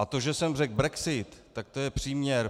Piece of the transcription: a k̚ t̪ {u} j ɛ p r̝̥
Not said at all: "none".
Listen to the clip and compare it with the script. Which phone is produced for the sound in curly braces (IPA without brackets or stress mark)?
o